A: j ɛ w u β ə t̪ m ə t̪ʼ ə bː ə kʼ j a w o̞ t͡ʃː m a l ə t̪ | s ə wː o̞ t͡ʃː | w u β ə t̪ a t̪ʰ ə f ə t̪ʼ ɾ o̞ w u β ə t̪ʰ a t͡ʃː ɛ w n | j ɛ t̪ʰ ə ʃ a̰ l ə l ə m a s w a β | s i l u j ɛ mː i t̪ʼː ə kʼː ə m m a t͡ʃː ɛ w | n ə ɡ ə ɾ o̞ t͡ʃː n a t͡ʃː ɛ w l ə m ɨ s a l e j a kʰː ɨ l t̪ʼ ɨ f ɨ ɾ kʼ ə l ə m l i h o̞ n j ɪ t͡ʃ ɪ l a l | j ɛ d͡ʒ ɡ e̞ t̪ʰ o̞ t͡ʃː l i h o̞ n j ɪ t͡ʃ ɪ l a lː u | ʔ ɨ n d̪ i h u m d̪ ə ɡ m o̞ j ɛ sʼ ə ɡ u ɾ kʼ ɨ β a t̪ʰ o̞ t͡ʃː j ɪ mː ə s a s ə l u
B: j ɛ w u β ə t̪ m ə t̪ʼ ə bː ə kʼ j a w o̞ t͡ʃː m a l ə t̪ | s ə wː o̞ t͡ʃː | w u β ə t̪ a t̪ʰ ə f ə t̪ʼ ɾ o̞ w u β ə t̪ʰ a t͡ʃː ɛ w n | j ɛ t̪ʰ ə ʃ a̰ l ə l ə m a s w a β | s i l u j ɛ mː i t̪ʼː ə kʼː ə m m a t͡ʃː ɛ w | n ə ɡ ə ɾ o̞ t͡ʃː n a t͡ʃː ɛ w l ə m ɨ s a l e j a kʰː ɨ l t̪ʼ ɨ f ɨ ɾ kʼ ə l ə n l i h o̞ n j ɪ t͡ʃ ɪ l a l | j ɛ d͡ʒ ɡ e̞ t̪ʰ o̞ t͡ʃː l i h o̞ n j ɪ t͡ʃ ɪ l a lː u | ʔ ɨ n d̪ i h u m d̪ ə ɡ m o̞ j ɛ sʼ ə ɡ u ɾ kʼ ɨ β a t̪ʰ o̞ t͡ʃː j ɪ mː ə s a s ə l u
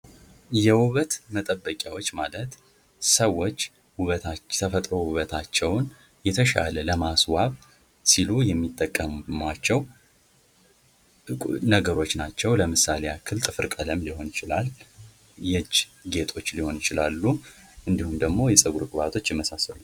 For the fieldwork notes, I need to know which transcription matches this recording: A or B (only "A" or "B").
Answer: A